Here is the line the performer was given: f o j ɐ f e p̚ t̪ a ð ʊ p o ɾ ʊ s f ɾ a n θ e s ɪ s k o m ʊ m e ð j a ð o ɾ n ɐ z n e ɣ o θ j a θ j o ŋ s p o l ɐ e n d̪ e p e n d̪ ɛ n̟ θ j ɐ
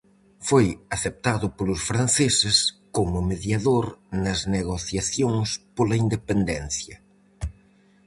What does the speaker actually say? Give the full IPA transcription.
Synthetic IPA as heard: f o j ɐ θ e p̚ t̪ a ð ʊ p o l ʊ s f ɾ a n θ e s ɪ s k o m ʊ m e ð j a ð o ɾ n ɐ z n e ɣ o θ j a θ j o ŋ s p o l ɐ i n d̪ e p e n d̪ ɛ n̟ θ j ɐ